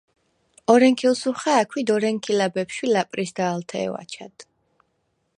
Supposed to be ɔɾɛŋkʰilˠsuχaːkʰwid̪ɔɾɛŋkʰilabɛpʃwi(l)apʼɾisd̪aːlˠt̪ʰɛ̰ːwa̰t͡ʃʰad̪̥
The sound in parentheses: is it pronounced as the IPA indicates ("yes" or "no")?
yes